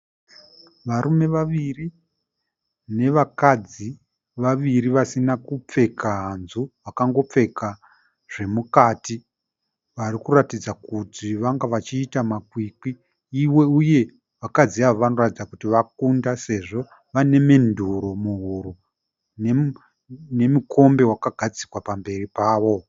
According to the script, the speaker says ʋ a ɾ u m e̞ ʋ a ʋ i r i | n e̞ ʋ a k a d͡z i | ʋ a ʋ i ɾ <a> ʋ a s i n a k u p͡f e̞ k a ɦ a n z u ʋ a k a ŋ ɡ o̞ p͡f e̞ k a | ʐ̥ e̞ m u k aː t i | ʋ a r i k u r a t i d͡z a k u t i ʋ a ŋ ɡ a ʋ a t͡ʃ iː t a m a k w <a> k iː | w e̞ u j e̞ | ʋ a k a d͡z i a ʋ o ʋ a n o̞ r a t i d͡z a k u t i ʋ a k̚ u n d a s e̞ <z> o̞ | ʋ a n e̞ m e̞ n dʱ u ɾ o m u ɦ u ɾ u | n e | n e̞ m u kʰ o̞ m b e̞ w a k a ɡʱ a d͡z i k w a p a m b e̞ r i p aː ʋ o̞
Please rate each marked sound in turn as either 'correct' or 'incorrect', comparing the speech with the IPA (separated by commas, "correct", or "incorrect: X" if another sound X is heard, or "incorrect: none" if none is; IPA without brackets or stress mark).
incorrect: i, incorrect: i, incorrect: ʐ